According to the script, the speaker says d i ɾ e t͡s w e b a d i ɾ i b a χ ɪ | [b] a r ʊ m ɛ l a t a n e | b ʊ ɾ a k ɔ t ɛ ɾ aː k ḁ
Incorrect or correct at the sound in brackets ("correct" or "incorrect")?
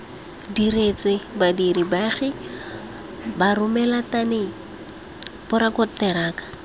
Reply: correct